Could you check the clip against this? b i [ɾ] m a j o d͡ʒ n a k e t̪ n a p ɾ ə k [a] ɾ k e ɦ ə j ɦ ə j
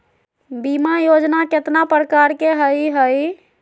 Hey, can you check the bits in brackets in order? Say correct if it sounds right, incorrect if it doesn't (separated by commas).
incorrect, correct